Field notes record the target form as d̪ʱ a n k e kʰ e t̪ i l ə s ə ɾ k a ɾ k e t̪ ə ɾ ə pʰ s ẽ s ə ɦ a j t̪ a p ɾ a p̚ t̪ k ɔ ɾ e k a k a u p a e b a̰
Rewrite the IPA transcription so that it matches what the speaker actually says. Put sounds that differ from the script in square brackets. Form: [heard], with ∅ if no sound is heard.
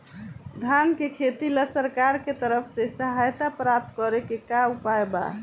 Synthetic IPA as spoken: d̪ʱ a n k e kʰ e t̪ i l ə s ə ɾ k a ɾ k e t̪ ə ɾ ə pʰ s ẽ s ə ɦ a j t̪ a p ɾ a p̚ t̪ k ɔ ɾ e k [e] k a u p a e b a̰